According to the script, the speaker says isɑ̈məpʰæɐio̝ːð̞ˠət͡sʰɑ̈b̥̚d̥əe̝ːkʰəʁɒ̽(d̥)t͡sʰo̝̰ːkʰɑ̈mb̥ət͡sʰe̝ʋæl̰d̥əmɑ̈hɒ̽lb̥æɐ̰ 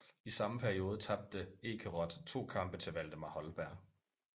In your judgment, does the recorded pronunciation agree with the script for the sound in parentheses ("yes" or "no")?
yes